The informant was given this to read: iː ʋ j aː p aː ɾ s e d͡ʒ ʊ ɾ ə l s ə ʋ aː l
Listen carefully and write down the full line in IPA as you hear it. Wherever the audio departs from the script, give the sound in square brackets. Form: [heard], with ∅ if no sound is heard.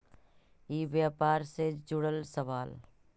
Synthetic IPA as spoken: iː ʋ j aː p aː ɾ s e d͡ʒ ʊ [ɽ] ə l s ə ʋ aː l